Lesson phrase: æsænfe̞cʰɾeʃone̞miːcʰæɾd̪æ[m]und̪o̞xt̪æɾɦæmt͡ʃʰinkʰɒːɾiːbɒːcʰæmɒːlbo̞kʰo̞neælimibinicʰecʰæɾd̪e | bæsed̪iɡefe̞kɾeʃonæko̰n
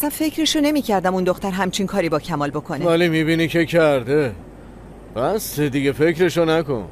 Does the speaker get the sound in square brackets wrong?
no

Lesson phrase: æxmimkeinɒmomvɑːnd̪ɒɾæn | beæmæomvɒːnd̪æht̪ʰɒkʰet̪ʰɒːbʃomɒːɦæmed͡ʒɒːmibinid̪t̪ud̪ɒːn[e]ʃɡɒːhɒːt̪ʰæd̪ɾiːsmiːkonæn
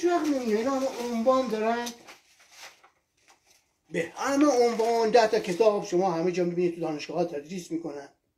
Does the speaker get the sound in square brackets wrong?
no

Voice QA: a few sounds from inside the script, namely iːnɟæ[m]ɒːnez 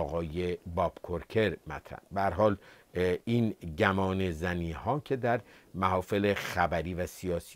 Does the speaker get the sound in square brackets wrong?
no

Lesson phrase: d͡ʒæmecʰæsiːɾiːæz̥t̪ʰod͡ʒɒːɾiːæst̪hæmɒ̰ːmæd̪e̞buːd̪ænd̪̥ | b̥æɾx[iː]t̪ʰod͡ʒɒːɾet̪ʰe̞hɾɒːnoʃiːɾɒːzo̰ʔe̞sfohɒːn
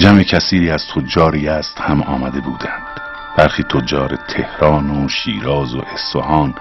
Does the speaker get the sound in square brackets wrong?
no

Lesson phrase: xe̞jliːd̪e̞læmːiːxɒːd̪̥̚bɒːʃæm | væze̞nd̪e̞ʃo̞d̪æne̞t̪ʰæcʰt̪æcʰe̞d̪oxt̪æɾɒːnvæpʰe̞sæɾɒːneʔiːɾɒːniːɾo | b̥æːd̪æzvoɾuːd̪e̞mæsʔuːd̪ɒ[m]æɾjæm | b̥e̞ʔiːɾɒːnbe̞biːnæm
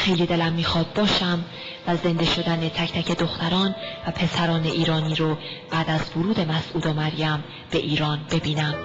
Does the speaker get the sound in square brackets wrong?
no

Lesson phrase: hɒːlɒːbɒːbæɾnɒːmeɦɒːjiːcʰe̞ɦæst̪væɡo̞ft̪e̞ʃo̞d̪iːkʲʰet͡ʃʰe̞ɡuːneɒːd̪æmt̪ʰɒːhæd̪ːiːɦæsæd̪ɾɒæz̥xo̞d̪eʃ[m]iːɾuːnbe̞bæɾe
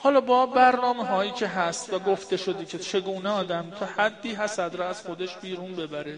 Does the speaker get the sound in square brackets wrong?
yes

